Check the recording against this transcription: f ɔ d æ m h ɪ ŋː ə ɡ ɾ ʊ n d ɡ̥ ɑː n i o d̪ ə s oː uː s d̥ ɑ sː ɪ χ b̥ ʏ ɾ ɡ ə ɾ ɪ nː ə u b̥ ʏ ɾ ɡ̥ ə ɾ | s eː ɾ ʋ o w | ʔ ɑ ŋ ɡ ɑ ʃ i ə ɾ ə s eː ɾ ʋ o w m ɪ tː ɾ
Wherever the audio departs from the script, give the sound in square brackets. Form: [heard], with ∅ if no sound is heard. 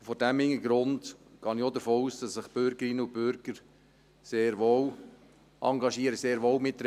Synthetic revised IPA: f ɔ d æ m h ɪ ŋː ə ɡ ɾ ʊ n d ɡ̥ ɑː n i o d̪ ə [f] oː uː s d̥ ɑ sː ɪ χ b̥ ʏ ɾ ɡ ə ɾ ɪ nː ə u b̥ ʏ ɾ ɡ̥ ə ɾ | s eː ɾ ʋ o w | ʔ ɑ ŋ ɡ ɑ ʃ i ə ɾ ə s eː ɾ ʋ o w m ɪ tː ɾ